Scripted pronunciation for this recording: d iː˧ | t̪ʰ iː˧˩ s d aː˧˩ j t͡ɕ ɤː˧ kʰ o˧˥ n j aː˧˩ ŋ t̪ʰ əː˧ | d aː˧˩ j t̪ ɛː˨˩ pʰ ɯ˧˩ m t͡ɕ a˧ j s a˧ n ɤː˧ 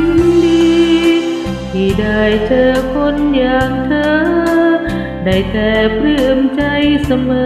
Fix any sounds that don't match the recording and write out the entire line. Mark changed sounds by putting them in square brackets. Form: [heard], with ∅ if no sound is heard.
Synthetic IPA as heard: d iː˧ | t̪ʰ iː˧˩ [∅] d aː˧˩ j t͡ɕ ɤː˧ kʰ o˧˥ n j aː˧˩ ŋ t̪ʰ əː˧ | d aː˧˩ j t̪ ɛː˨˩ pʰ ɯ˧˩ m t͡ɕ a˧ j s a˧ [m] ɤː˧